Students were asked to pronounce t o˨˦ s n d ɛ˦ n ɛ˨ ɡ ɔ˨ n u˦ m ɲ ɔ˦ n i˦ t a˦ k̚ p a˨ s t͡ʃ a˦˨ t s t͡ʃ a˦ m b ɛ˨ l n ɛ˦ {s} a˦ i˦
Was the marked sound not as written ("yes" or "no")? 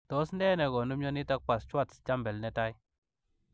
yes